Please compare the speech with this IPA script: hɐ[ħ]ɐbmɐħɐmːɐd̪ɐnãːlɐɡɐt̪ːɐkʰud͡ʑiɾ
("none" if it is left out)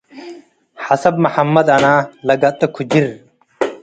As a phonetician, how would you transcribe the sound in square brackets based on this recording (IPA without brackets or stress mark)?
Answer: s